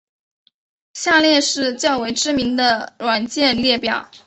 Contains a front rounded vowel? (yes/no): no